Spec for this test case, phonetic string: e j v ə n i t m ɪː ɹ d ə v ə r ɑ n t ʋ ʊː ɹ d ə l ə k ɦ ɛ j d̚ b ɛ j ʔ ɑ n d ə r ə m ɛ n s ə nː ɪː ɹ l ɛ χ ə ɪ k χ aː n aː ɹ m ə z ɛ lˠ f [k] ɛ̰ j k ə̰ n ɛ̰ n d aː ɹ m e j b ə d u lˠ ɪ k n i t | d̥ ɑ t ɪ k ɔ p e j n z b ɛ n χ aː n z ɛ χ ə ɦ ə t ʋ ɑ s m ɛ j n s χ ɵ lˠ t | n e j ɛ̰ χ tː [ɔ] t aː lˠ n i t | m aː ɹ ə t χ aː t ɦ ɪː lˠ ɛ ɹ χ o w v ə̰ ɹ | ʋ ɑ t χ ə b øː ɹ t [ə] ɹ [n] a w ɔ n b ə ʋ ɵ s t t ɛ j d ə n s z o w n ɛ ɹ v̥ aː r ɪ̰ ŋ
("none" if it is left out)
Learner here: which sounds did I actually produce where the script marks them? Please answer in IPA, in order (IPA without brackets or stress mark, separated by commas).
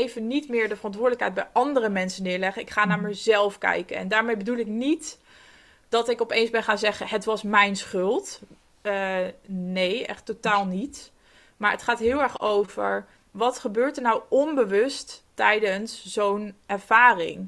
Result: k, o, ə, n